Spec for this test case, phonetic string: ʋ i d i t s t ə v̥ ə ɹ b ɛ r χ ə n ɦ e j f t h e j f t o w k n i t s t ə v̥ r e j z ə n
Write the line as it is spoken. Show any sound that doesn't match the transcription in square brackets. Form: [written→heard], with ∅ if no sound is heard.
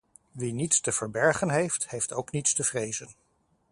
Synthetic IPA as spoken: ʋ i [d→n] i t s t ə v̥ ə ɹ b ɛ [r→ɹ] χ ə n ɦ e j f t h e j f t o w k n i t s t ə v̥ r e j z ə n